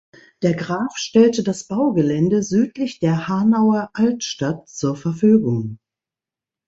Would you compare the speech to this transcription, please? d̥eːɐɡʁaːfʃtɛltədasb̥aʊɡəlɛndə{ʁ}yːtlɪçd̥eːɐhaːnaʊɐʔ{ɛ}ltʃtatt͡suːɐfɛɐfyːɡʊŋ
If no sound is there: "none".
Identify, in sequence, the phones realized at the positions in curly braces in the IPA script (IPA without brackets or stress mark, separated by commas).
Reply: z, a